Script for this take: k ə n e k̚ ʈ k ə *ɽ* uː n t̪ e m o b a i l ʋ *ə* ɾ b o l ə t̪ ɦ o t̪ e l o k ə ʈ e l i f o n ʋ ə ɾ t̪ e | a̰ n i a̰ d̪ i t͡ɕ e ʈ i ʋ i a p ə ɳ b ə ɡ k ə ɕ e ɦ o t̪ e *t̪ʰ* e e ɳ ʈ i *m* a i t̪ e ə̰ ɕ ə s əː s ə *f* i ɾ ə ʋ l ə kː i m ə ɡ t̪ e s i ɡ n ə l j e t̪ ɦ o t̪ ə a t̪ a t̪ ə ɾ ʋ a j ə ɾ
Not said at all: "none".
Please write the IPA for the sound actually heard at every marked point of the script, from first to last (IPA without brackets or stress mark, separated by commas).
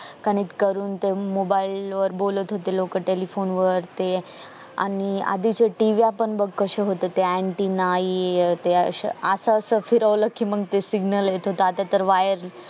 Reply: ɾ, ə, t̪, n, f